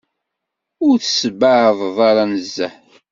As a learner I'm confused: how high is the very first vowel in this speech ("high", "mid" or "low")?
high